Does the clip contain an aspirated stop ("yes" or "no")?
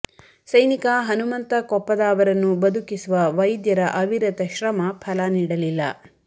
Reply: yes